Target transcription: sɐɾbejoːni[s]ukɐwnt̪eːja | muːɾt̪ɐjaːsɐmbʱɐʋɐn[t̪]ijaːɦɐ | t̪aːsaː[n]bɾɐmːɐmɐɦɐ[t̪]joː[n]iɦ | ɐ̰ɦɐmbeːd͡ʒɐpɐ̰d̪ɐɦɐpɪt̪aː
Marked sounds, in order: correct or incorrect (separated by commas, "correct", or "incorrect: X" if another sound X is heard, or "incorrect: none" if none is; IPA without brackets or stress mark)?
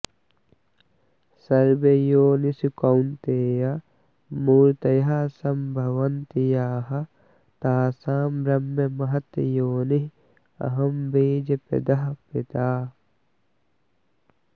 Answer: correct, correct, incorrect: m, correct, correct